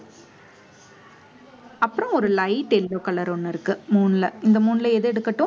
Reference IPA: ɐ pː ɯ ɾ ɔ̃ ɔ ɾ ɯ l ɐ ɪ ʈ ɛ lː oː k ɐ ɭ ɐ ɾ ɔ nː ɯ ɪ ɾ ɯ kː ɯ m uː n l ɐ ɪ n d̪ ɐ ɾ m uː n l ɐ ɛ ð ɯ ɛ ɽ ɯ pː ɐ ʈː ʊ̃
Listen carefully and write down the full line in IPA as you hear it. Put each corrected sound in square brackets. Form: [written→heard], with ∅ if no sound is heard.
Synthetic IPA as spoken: ɐ pː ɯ ɾ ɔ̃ ɔ ɾ ɯ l ɐ ɪ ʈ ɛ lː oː k ɐ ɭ ɐ ɾ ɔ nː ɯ ɪ ɾ ɯ kː ɯ m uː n l ɐ ɪ n d̪ ɐ [ɾ→∅] m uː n l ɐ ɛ ð ɯ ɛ ɽ ɯ [pː→kː] ɐ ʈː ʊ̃

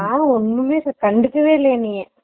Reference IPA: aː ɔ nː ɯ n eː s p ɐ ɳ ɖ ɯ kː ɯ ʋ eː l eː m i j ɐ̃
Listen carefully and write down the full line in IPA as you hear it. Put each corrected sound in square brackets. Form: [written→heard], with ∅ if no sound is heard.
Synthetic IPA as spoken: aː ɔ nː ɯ [n→m] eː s [p→k] ɐ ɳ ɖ ɯ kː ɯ ʋ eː l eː [m→n] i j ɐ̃

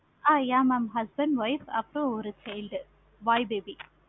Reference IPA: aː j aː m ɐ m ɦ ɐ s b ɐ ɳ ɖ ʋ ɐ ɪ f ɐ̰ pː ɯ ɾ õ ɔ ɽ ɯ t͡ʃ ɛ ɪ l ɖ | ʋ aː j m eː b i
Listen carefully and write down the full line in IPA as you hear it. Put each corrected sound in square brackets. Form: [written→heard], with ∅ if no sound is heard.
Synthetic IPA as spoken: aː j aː m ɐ m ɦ ɐ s b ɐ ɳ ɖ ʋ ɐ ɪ f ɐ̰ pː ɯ ɾ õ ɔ [ɽ→ɾ] ɯ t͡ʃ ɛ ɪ l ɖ | ʋ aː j [m→b] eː b i

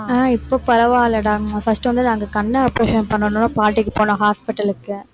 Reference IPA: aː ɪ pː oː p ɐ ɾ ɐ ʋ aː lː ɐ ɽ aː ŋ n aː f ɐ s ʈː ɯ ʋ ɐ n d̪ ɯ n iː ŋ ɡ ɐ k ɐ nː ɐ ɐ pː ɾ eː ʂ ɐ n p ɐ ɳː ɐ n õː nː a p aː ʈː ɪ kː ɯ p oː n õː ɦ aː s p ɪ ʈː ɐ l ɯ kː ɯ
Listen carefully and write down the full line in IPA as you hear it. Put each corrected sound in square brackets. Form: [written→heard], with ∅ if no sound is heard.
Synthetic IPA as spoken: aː ɪ pː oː p ɐ ɾ ɐ ʋ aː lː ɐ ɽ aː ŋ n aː f ɐ s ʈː ɯ ʋ ɐ n d̪ ɯ n [iː→aː] ŋ ɡ ɐ k ɐ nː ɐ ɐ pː ɾ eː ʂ ɐ n p ɐ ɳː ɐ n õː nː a p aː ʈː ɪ kː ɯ p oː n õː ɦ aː s p ɪ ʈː ɐ l ɯ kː ɯ

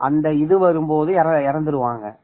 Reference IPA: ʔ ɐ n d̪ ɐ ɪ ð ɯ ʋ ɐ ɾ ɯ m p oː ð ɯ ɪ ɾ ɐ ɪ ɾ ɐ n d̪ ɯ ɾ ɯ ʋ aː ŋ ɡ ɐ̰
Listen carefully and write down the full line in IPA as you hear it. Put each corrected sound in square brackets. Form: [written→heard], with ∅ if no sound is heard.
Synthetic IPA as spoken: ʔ ɐ n d̪ ɐ ɪ ð ɯ ʋ ɐ ɾ ɯ m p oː ð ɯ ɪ ɾ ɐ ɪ ɾ ɐ n d̪ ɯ ɾ ɯ ʋ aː ŋ ɡ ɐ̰

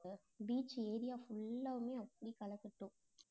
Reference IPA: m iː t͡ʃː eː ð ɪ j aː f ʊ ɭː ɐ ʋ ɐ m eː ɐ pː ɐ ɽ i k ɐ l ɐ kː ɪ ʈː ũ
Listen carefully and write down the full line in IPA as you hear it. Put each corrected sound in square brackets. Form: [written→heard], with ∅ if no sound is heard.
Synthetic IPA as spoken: [m→b] iː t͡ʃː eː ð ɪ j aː f ʊ ɭː ɐ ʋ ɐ m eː ɐ pː ɐ ɽ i k ɐ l ɐ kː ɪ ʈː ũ

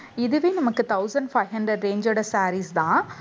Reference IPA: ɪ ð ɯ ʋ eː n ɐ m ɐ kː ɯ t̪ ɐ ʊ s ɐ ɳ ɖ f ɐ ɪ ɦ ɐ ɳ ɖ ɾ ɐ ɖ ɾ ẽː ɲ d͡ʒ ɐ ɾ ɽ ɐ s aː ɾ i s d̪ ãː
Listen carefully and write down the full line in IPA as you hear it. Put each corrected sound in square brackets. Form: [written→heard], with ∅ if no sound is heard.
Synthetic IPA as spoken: ɪ ð ɯ ʋ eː n ɐ m ɐ kː ɯ t̪ ɐ ʊ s ɐ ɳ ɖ f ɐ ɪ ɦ ɐ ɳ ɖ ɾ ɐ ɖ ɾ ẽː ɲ d͡ʒ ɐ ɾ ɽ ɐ s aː ɾ i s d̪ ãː

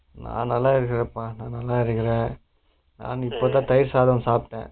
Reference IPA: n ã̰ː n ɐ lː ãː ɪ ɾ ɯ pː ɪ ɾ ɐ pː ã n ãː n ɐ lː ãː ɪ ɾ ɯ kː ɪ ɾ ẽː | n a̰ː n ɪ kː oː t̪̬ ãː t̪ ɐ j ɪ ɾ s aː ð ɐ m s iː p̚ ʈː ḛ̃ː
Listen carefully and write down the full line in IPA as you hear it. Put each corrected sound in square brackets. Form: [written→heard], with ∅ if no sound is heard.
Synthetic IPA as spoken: n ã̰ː n ɐ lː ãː ɪ ɾ ɯ [pː→kː] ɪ ɾ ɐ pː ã n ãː n ɐ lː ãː ɪ ɾ ɯ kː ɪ ɾ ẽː | n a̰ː n ɪ [kː→pː] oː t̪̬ ãː t̪ ɐ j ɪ ɾ s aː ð ɐ m s [iː→aː] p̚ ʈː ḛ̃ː

